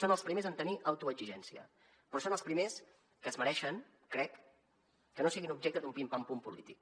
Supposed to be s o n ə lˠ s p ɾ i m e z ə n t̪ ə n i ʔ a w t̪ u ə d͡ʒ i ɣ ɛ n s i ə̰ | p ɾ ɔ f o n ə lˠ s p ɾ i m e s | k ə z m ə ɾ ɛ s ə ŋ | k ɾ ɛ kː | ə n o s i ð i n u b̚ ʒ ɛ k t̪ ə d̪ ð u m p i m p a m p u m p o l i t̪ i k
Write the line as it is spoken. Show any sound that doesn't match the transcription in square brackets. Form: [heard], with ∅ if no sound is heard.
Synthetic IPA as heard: s o n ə lˠ s p ɾ i m e z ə n t̪ ə n i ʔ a w t̪ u ə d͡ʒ i [ʒ] ɛ n s i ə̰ | p ɾ ɔ [s] o n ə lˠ s p ɾ i m e s | k ə z m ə ɾ ɛ [ʃ] ə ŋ | k ɾ ɛ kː | ə n o s i [ɣ] i n u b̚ ʒ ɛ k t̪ ə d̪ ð u m p i m p a m p u m p [u] l i t̪ i k